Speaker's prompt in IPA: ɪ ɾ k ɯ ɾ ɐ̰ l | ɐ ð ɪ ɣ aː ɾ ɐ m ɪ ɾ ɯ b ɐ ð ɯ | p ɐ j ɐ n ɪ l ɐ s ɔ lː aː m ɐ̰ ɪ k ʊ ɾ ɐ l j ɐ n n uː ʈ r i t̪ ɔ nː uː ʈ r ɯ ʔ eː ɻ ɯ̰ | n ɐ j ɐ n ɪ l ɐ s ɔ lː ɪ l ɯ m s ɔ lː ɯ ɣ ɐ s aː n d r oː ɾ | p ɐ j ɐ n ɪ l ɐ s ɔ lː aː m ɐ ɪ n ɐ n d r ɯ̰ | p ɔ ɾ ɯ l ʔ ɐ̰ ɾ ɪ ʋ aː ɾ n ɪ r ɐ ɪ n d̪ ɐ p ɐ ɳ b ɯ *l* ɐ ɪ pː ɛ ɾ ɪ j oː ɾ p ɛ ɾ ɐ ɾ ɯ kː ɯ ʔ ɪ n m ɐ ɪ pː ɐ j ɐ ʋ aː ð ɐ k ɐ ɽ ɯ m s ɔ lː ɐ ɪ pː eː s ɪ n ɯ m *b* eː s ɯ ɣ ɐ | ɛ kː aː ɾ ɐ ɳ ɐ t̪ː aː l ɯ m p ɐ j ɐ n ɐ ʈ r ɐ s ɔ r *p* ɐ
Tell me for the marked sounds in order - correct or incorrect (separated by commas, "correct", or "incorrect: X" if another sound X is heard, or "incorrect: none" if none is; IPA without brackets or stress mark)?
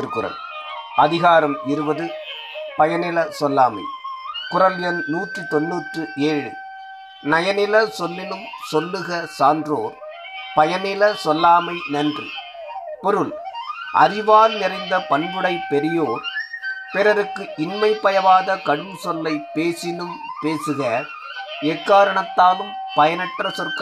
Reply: incorrect: ɽ, incorrect: p, incorrect: k